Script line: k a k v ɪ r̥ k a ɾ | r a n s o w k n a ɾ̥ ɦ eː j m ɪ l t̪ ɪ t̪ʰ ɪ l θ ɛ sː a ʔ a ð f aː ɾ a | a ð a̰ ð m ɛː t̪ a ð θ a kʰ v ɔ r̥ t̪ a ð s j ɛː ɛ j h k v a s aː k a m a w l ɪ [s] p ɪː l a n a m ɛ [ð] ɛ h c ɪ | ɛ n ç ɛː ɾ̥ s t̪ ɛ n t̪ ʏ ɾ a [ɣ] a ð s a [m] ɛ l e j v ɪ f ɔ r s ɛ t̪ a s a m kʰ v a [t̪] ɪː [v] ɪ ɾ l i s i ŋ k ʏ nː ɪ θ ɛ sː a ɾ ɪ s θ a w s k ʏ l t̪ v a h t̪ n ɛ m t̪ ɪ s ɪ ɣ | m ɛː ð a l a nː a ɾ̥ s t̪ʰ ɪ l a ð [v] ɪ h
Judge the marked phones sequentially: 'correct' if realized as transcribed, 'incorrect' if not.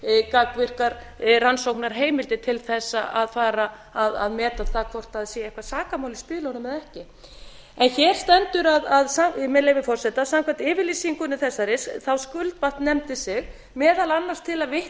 correct, correct, incorrect, correct, correct, correct, correct

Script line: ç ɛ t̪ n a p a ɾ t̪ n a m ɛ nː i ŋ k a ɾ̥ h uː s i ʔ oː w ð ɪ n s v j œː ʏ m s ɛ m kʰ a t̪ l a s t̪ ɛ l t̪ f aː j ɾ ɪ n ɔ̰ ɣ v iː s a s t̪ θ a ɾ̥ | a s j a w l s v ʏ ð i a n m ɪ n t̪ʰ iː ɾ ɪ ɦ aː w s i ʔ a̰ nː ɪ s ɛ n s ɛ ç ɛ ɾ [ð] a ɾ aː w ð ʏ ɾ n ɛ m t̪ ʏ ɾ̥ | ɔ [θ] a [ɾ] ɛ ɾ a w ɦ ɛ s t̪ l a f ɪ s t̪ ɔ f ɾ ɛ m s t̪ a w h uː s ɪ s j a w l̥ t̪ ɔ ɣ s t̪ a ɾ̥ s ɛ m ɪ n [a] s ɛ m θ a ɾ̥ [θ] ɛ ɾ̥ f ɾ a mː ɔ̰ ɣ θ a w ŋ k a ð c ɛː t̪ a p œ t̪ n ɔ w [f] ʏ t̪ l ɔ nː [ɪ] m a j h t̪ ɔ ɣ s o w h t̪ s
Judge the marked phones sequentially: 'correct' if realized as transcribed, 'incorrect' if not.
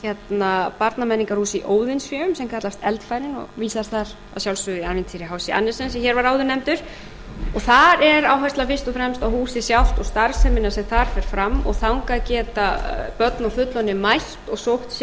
incorrect, correct, correct, correct, incorrect, correct, correct

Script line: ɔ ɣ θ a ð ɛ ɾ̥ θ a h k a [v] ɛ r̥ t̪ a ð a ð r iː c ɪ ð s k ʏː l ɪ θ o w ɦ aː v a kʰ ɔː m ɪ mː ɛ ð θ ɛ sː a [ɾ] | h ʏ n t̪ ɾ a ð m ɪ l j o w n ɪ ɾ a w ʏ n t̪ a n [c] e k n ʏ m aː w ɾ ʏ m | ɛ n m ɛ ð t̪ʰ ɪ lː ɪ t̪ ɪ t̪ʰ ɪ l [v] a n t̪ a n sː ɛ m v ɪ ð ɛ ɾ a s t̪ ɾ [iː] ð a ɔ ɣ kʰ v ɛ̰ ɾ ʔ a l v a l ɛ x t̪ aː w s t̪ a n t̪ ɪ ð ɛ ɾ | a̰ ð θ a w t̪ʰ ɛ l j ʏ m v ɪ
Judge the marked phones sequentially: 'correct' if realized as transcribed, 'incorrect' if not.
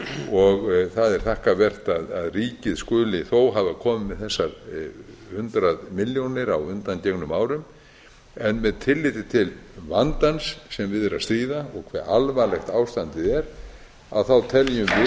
correct, correct, correct, correct, correct

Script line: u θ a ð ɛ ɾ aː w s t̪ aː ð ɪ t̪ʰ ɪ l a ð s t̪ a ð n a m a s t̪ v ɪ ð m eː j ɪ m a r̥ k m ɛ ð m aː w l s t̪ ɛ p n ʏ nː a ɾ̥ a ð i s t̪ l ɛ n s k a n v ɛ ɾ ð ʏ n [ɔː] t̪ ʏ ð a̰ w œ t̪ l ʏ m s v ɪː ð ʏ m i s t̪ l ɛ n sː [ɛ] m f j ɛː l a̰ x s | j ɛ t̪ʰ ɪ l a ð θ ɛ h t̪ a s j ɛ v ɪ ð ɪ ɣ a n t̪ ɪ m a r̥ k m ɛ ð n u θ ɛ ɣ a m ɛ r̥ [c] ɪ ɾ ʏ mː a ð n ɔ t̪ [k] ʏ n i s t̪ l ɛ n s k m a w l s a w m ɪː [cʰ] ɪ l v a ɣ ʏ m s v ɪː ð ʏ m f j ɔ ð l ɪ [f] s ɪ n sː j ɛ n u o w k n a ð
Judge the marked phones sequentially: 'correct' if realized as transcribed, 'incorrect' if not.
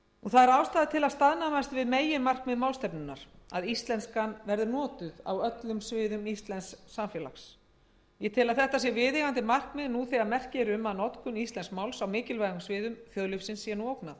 correct, incorrect, correct, correct, incorrect, correct

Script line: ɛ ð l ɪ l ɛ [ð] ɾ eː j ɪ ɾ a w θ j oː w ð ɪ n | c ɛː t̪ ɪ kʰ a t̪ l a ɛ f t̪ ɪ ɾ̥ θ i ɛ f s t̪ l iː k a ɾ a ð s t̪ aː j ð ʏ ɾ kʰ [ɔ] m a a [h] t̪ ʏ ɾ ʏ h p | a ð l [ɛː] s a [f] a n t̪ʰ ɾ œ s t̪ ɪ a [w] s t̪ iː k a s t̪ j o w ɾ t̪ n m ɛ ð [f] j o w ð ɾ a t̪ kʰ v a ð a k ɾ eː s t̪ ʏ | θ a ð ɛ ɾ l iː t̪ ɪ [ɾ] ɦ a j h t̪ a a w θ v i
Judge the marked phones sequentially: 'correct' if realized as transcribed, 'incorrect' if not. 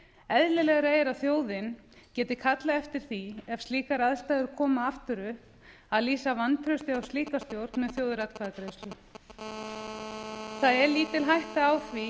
incorrect, incorrect, incorrect, incorrect, incorrect, correct, incorrect, incorrect

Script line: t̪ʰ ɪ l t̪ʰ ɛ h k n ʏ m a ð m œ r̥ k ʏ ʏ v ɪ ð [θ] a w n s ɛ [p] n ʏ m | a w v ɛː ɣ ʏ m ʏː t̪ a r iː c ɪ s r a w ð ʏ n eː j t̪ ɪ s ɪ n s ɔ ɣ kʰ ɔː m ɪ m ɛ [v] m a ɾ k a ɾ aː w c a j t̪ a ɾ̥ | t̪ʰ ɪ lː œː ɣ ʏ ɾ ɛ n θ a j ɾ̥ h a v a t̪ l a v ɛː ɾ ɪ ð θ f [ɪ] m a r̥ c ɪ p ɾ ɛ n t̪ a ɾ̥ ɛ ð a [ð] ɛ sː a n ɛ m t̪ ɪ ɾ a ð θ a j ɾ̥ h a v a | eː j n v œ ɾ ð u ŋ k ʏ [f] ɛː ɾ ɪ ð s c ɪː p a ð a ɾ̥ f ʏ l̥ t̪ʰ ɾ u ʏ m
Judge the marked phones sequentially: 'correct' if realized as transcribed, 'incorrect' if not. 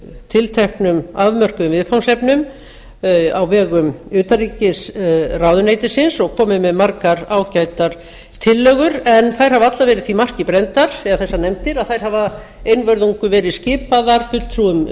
incorrect, correct, incorrect, incorrect, incorrect, incorrect

